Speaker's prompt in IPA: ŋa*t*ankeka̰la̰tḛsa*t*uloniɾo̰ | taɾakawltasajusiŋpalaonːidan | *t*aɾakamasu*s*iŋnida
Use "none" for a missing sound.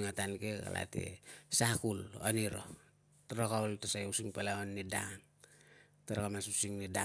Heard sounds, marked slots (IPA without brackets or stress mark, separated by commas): t, k, t, s